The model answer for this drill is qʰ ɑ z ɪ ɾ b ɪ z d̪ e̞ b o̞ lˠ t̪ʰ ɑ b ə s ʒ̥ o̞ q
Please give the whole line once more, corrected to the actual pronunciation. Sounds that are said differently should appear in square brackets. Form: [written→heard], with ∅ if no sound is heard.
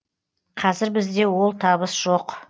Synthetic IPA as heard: qʰ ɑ z ɪ ɾ b ɪ z d̪ e̞ [b→w] o̞ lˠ t̪ʰ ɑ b ə s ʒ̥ o̞ q